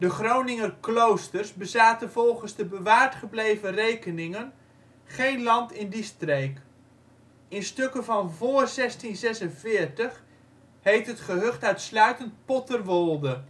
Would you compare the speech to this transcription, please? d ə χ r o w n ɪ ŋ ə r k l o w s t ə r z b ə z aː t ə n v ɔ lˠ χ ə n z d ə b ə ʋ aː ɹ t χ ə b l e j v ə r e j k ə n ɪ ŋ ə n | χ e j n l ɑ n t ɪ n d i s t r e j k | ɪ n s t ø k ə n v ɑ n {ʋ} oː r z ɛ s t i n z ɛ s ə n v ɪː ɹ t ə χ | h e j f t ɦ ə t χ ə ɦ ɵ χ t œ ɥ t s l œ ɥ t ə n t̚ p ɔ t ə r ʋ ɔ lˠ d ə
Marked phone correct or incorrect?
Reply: incorrect: v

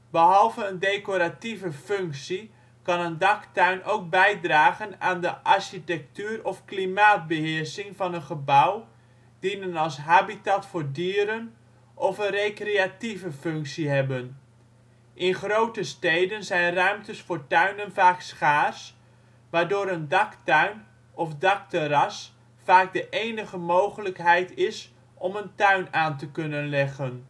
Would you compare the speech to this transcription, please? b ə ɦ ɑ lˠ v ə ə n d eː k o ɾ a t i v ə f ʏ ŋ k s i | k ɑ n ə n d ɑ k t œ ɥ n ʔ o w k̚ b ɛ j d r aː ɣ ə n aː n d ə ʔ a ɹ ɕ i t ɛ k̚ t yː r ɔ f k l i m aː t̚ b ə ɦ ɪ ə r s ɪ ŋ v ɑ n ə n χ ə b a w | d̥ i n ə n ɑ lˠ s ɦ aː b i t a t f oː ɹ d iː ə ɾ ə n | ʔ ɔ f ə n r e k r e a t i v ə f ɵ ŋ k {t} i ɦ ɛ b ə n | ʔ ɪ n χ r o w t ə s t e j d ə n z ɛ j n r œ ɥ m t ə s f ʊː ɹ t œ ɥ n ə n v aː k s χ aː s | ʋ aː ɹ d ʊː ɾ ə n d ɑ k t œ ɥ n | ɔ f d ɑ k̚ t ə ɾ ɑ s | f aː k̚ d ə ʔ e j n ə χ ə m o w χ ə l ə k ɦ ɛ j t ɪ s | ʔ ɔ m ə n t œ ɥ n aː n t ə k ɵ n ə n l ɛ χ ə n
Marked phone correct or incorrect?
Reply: incorrect: s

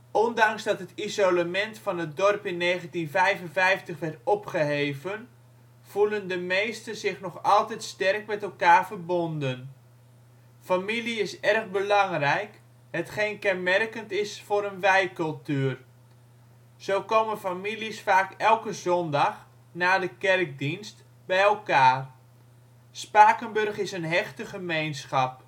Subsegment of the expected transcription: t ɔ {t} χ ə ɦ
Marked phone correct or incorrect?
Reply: incorrect: p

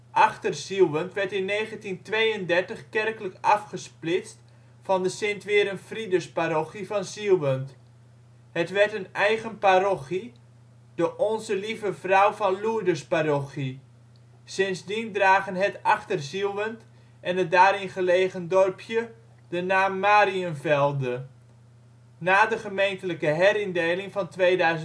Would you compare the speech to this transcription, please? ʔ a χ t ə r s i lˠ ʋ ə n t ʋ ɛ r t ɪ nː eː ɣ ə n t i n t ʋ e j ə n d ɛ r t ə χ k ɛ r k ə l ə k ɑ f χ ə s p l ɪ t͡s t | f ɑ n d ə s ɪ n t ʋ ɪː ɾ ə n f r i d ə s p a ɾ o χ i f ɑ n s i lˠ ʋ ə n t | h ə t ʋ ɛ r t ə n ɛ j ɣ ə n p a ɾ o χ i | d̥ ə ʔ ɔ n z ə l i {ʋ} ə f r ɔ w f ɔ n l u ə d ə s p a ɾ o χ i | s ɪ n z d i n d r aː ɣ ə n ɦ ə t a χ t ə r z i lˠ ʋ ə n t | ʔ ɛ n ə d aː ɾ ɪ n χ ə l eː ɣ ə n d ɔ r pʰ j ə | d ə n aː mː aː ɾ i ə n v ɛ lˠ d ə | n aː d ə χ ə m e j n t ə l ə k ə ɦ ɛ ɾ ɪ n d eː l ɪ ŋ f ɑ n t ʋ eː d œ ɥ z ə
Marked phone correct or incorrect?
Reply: incorrect: v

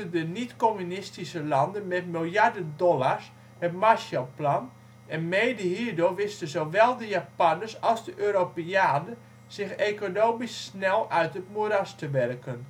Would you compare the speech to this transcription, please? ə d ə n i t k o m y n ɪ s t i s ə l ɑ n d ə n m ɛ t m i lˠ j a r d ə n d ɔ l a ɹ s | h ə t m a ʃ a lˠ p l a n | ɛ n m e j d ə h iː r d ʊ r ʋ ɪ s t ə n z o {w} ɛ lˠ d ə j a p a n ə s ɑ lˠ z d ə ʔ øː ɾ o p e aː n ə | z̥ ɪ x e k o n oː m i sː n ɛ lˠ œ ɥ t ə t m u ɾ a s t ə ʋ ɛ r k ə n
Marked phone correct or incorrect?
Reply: incorrect: ʋ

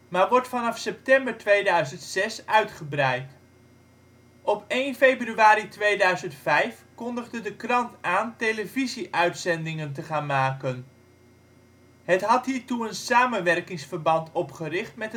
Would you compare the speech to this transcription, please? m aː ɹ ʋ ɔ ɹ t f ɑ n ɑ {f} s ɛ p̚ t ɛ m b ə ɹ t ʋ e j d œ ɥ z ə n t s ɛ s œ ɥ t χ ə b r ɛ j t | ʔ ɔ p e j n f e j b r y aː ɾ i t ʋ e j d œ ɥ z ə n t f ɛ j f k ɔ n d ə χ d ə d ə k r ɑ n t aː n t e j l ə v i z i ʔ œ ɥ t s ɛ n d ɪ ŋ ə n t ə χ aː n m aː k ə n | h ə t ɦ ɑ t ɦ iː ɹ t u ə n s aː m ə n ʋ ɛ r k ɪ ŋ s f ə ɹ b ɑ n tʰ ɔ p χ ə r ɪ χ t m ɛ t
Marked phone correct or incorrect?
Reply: correct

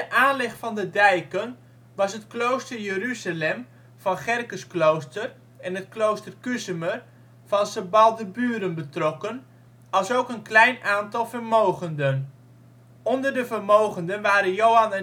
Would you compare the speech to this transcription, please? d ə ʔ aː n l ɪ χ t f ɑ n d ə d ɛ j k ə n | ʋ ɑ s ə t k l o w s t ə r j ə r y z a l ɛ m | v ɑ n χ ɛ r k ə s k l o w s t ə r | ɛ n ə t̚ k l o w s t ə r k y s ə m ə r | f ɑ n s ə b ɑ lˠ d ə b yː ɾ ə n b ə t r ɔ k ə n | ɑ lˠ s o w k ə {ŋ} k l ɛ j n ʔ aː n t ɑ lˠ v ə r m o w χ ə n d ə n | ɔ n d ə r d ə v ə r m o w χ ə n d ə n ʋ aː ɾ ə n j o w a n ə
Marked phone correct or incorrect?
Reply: incorrect: n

